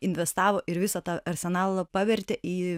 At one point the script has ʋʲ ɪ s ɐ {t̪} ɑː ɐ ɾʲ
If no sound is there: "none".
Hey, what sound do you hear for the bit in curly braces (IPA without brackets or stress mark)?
t̪